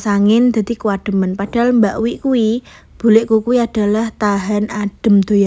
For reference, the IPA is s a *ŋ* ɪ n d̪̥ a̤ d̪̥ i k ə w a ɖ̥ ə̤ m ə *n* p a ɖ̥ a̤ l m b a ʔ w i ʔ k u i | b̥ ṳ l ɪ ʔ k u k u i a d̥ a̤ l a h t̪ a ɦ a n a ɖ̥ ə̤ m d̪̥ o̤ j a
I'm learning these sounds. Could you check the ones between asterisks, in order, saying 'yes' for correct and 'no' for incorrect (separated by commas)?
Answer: yes, yes